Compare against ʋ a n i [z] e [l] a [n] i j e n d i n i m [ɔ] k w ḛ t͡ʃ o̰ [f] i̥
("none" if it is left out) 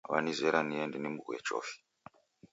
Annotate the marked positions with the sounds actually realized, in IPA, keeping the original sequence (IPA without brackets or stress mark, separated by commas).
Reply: z, ɾ, n, u, f